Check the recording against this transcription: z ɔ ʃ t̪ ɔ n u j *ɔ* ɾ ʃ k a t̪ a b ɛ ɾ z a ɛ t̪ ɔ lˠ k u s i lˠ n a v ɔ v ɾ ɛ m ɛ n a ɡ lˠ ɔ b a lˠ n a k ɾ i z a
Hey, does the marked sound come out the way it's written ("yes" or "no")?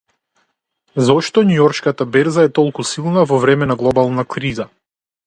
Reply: yes